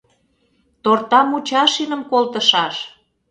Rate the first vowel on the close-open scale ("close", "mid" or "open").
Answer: mid